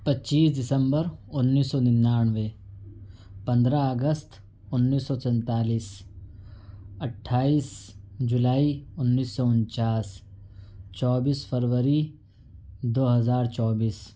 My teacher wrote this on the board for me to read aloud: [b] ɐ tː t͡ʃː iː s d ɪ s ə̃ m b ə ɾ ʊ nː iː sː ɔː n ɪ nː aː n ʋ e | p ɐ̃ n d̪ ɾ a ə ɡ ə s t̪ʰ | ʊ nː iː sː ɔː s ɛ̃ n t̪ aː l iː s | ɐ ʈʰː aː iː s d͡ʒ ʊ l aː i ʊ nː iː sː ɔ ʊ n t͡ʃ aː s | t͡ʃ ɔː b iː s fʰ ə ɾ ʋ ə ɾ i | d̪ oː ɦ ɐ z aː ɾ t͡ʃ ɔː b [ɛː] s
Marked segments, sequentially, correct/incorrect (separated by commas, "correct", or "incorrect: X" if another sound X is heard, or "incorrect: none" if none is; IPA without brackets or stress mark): incorrect: p, incorrect: iː